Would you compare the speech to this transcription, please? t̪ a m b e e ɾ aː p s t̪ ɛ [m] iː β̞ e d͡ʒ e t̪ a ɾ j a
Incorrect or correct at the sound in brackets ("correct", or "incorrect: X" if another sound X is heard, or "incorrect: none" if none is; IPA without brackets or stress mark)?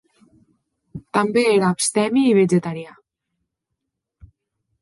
correct